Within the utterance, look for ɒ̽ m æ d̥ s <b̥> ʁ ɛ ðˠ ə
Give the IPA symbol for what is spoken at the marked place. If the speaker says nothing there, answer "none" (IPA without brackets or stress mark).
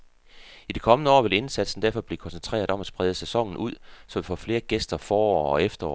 b̥